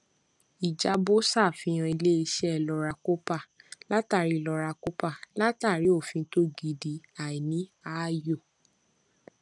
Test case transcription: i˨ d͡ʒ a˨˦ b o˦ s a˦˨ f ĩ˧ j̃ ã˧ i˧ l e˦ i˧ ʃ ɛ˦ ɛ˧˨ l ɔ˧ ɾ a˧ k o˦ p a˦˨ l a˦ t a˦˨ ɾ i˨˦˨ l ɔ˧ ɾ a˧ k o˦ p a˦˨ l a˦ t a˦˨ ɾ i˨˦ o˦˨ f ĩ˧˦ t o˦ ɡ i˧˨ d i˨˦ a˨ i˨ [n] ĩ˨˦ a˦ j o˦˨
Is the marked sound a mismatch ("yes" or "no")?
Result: no